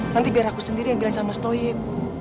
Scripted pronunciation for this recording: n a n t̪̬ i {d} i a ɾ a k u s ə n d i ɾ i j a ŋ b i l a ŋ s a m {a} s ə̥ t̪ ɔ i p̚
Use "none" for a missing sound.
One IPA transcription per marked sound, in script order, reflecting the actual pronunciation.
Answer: b, a

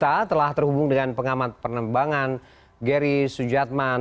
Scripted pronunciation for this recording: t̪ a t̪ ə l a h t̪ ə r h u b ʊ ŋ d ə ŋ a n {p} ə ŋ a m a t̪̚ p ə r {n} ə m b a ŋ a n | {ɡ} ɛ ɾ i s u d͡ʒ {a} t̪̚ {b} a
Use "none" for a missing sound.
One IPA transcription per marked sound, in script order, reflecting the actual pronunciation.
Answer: p, n, ɡ, a, m

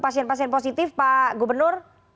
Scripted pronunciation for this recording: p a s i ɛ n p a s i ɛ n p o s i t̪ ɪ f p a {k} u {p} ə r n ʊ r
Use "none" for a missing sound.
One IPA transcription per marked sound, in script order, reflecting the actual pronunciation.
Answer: ɡ, b

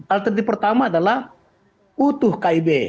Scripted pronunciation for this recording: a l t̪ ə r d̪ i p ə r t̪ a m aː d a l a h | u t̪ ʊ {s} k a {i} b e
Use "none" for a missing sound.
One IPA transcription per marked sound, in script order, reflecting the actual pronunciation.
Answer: h, i

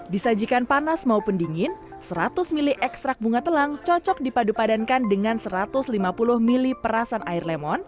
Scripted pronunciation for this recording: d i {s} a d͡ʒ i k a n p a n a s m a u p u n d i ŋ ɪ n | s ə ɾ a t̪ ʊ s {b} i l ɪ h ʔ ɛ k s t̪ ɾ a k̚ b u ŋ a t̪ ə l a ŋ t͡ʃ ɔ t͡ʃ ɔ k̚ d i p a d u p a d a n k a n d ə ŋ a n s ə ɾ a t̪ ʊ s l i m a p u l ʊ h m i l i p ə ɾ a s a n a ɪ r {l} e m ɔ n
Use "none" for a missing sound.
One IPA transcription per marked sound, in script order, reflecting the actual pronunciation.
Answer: s, m, l

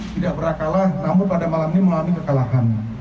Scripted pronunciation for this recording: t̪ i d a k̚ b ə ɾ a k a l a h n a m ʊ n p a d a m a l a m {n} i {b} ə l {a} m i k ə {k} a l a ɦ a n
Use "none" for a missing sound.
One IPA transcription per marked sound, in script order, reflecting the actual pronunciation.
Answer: n, m, a, k

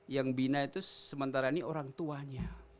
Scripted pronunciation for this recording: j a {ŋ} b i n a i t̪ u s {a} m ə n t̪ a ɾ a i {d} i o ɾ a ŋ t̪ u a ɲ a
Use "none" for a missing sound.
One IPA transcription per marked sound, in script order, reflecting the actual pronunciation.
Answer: ŋ, ə, n

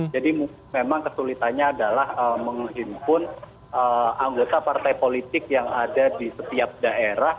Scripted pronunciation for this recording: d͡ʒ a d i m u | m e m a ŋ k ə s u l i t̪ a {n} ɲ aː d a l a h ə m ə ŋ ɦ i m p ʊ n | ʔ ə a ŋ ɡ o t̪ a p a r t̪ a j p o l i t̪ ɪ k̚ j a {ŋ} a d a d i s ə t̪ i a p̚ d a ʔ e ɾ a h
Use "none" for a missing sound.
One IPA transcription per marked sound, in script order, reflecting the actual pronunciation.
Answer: n, ŋ

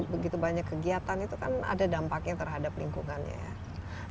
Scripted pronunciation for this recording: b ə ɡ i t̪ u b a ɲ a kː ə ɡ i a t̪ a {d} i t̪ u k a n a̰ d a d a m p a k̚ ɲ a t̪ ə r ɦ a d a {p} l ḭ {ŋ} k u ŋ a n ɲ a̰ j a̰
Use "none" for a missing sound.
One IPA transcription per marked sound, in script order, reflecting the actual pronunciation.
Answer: n, p, ŋ

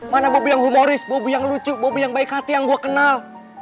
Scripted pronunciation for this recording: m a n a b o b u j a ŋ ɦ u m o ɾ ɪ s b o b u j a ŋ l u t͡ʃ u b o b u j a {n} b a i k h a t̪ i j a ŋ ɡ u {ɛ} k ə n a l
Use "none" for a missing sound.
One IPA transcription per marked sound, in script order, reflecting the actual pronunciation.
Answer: ŋ, a

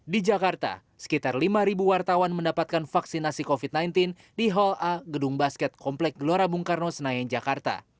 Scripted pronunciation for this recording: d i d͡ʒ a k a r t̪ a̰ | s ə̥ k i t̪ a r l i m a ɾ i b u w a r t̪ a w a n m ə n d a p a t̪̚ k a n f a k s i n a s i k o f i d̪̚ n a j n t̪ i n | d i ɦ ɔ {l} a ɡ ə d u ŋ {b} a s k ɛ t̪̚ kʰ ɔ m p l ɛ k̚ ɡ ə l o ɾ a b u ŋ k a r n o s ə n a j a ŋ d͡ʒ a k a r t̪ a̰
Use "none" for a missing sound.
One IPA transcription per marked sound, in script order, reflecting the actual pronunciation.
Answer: l, b

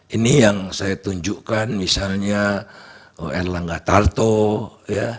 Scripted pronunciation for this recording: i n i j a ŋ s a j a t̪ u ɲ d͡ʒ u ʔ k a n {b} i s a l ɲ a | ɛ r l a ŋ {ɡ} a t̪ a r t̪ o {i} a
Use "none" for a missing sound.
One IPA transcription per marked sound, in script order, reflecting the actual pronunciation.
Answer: m, ɡ, j

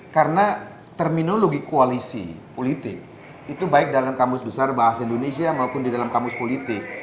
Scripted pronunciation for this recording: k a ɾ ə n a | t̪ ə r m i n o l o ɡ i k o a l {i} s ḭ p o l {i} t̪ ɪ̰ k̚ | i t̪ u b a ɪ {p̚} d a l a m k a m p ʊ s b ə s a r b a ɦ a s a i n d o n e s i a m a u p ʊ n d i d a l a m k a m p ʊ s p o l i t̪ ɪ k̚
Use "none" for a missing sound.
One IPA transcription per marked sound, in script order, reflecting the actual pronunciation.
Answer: i, i, k̚

